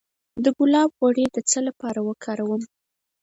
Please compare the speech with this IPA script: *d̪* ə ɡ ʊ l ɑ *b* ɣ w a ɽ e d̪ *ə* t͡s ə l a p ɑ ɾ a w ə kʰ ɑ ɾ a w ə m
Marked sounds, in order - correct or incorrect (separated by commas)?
correct, correct, correct